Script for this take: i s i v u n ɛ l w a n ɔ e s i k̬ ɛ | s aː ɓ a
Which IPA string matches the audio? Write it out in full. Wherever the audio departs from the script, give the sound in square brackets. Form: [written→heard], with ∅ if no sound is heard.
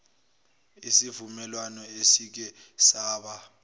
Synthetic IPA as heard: i s i v u [n→m] ɛ l w a n ɔ e s i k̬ ɛ | s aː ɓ a